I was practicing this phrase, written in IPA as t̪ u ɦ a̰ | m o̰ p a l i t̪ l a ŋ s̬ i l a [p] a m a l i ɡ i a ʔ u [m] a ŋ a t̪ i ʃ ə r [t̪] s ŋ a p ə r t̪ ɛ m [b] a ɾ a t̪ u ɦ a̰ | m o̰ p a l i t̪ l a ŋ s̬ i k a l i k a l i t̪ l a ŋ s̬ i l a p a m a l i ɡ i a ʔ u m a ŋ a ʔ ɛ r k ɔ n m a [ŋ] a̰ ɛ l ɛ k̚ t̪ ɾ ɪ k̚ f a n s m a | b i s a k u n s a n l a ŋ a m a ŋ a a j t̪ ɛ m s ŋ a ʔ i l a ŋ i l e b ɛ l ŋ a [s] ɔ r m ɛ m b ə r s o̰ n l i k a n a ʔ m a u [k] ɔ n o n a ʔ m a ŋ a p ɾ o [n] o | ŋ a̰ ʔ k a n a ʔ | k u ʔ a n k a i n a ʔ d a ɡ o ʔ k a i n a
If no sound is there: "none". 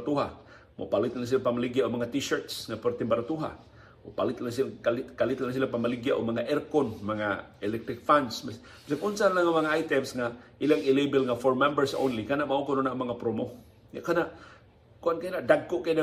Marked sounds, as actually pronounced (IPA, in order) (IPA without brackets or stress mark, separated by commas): p, m, t̪, b, ŋ, f, k, m